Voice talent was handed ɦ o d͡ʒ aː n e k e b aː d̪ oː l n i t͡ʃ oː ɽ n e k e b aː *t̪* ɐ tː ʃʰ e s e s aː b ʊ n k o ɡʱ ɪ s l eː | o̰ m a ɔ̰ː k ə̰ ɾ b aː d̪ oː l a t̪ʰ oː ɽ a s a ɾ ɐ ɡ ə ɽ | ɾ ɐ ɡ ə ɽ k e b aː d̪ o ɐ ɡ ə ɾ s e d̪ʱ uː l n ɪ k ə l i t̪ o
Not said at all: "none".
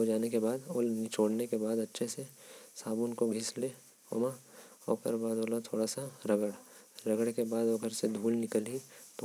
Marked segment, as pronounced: d̪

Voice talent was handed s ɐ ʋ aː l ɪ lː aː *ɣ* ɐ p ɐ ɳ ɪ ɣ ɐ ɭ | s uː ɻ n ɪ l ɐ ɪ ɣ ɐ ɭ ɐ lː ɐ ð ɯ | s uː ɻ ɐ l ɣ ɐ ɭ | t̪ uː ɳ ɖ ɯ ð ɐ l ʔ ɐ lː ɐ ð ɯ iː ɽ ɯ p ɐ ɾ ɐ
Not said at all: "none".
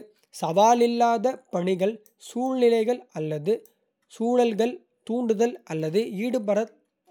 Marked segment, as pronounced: ð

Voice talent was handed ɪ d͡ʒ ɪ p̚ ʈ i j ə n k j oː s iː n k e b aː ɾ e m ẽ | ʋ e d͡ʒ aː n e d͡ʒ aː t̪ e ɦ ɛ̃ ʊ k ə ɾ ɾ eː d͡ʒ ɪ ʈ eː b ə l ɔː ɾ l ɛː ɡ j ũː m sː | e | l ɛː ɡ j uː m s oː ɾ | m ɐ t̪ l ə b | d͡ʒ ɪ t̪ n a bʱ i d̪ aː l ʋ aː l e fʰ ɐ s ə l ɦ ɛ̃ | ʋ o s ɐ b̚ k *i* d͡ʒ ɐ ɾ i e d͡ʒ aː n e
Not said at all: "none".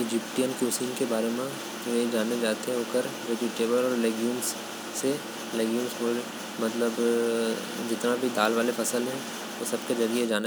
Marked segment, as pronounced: e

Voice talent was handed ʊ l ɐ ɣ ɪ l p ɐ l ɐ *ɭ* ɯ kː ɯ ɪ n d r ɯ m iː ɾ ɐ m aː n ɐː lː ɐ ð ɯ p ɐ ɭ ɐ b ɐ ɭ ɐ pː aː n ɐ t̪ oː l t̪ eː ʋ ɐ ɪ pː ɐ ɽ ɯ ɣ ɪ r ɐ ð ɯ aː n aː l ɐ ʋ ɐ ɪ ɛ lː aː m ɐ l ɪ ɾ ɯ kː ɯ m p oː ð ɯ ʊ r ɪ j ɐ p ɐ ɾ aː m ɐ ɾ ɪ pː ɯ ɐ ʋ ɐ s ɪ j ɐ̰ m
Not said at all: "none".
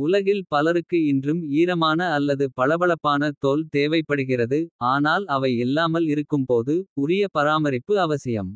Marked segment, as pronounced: ɾ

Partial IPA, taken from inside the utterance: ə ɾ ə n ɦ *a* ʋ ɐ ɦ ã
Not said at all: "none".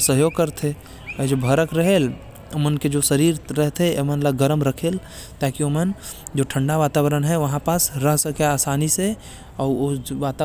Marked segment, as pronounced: ɛ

